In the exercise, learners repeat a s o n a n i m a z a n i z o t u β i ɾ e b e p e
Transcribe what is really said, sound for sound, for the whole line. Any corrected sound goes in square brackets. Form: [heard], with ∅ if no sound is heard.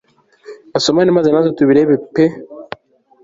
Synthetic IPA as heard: a s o [m] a n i m a z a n [a] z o t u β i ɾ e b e p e